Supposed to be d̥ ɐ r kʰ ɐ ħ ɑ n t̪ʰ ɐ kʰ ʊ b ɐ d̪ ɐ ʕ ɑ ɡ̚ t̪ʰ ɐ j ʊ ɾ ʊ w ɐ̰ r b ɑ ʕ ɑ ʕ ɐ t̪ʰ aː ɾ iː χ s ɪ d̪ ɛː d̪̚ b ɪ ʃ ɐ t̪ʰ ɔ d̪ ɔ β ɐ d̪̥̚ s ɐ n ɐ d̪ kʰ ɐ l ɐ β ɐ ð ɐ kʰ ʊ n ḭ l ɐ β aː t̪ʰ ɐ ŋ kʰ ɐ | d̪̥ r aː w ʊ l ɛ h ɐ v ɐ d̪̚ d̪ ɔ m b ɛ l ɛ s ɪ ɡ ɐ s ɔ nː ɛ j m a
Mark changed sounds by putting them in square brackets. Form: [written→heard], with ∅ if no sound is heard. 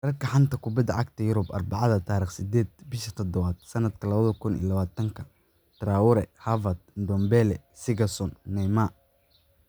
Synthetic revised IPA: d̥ ɐ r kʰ ɐ ħ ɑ n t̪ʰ ɐ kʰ ʊ b ɐ d̪ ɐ ʕ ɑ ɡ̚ t̪ʰ ɐ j ʊ ɾ ʊ [w→b] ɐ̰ r b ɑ ʕ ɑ [ʕ→ð] ɐ t̪ʰ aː ɾ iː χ s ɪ d̪ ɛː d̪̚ b ɪ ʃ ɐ t̪ʰ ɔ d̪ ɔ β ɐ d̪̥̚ s ɐ n ɐ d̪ kʰ ɐ l ɐ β ɐ ð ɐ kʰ ʊ n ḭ l ɐ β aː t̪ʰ ɐ ŋ kʰ ɐ | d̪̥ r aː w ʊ [l→ɾ] ɛ h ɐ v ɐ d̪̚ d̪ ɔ m b ɛ l ɛ s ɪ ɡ ɐ s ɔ nː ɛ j m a

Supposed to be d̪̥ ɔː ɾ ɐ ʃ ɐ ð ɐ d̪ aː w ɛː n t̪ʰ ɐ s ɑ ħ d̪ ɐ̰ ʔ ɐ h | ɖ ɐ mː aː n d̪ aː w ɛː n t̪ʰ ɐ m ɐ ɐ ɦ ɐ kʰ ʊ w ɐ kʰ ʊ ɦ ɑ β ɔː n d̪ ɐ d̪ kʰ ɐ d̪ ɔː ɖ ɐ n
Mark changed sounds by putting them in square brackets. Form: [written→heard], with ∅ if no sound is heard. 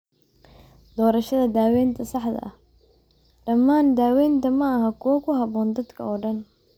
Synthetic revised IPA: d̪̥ ɔː ɾ ɐ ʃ ɐ ð ɐ d̪ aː w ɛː n t̪ʰ ɐ s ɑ ħ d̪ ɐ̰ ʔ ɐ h | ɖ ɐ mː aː n d̪ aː w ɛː n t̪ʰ ɐ m ɐ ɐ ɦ ɐ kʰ ʊ w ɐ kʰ ʊ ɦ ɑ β ɔː n d̪ ɐ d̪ kʰ ɐ [d̪→∅] ɔː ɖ ɐ n

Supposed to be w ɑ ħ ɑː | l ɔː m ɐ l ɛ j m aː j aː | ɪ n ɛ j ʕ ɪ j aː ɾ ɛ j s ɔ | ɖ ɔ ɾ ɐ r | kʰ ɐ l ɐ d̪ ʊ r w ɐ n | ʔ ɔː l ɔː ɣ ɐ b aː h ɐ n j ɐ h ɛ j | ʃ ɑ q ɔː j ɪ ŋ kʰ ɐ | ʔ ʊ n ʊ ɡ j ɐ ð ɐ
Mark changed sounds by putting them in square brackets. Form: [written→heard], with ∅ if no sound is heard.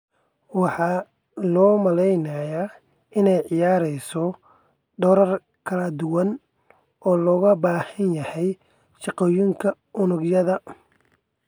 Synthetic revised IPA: w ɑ ħ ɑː | l ɔː m ɐ l ɛ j [m→n] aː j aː | ɪ n ɛ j ʕ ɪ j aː ɾ ɛ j s ɔ | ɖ ɔ ɾ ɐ r | kʰ ɐ l ɐ d̪ ʊ [r→∅] w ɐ n | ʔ ɔː l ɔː ɣ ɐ b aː h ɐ n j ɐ h ɛ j | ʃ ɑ q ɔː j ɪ ŋ kʰ ɐ | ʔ ʊ n ʊ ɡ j ɐ ð ɐ

